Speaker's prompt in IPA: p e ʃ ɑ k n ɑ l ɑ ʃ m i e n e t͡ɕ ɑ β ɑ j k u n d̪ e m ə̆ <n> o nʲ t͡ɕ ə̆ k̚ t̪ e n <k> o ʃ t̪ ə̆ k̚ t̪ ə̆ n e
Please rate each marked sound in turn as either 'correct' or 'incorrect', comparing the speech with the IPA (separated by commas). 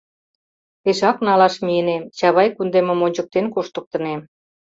incorrect, correct